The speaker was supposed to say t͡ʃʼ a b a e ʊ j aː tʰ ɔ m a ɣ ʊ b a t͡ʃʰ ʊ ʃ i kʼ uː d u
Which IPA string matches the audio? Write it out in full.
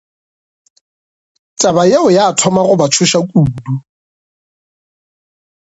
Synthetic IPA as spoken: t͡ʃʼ a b a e ʊ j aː tʰ ɔ m a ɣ ʊ b a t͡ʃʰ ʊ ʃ a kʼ uː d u